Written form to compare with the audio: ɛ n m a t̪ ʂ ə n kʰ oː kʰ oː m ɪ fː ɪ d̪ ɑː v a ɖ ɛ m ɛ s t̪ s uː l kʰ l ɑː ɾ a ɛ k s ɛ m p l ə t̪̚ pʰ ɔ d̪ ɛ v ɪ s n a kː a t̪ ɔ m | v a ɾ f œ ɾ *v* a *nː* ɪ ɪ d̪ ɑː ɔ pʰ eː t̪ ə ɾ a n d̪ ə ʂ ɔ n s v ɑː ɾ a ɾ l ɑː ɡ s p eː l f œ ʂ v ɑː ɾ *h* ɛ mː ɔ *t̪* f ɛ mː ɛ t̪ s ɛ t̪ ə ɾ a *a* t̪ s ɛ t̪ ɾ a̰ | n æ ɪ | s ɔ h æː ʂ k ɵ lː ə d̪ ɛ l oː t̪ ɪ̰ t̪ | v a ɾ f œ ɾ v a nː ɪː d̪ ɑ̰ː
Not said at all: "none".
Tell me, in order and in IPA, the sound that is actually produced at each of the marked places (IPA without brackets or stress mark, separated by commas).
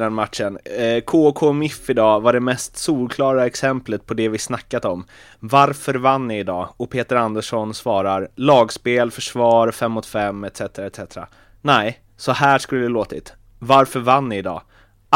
v, nː, f, t̪, ɛ